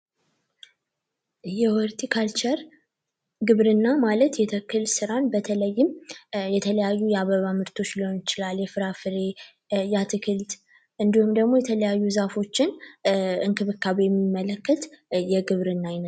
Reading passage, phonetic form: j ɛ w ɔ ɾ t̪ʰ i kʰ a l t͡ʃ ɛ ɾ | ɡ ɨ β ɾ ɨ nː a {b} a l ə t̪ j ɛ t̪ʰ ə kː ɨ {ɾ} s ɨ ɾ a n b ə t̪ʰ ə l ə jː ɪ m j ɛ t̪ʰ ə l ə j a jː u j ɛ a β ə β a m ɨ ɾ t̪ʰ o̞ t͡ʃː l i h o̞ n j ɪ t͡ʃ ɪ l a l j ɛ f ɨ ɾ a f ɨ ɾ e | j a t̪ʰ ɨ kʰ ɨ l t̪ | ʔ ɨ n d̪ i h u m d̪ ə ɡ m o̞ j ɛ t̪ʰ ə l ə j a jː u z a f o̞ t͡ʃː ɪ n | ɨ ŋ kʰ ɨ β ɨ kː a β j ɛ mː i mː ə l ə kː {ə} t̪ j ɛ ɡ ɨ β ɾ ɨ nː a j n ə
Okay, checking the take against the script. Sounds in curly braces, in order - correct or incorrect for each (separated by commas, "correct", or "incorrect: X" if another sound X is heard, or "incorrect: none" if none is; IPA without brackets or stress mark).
incorrect: m, incorrect: l, correct